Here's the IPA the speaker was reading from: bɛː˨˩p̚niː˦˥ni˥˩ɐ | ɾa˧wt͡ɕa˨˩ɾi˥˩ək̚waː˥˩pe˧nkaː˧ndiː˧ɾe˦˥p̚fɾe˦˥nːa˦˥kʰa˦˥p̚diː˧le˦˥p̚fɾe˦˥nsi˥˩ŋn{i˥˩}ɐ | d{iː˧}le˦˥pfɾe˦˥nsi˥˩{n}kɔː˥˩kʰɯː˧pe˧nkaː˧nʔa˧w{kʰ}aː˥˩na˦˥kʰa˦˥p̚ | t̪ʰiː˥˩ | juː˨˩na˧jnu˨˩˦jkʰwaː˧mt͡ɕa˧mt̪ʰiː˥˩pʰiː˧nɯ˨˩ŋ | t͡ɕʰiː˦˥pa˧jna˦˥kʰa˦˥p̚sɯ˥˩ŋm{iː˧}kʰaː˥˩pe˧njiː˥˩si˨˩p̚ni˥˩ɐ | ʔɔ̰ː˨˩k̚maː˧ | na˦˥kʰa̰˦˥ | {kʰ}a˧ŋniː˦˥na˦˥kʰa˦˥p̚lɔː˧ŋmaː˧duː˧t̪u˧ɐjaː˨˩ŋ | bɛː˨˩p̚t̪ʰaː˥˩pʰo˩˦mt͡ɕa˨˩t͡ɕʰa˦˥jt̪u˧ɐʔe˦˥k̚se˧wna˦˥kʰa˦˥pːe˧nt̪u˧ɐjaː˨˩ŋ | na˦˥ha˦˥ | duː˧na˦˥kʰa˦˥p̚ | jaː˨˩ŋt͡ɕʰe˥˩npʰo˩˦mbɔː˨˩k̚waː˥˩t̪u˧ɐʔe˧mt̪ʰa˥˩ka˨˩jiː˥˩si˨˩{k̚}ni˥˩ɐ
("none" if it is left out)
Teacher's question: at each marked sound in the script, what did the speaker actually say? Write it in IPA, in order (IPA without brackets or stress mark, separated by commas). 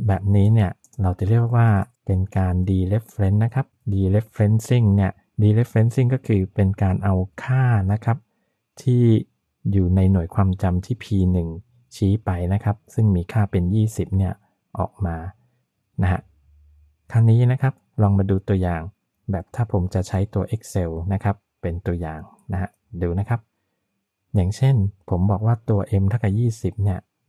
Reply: i˥˩, iː˧, ŋ, kʰ, iː˧, kʰ, p̚